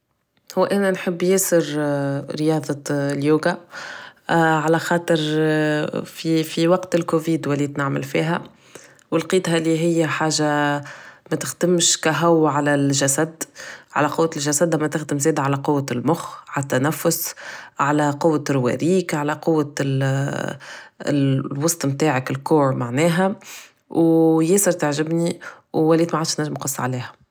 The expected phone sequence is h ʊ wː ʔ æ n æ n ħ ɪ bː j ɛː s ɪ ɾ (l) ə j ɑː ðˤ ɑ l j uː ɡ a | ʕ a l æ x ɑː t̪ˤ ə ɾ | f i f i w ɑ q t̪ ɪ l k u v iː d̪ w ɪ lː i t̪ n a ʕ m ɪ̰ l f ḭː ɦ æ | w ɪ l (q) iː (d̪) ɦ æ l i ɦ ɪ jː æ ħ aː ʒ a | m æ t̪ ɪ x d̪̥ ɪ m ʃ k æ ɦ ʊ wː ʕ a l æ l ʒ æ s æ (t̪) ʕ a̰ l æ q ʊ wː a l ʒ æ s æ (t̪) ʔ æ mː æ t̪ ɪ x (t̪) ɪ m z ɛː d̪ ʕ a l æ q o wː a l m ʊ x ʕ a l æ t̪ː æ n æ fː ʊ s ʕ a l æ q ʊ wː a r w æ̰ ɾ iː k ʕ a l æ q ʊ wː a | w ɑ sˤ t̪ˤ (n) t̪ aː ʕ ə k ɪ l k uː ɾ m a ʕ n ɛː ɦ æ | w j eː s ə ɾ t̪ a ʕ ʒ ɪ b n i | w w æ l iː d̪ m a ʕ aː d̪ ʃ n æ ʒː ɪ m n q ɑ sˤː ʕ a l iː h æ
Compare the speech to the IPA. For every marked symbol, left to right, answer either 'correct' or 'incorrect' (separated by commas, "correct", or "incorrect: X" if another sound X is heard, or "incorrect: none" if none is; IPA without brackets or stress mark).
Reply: incorrect: ɾ, correct, incorrect: t̪, incorrect: d̪, incorrect: d̪, incorrect: d̪, incorrect: m